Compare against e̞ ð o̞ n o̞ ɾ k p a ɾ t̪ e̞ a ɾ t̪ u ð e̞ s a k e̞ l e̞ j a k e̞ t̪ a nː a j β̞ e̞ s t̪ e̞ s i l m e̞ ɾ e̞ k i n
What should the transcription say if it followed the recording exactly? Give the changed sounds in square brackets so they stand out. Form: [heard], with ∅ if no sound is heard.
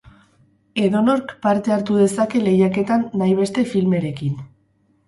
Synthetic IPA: e̞ ð o̞ n o̞ ɾ k p a ɾ t̪ e̞ a ɾ t̪ u ð e̞ s a k e̞ l e̞ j a k e̞ t̪ a nː a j β̞ e̞ s t̪ e̞ [f] i l m e̞ ɾ e̞ k i n